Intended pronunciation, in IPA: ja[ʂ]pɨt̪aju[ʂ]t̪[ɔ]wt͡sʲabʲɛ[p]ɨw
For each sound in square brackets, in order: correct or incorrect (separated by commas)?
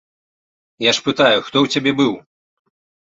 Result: correct, incorrect, correct, incorrect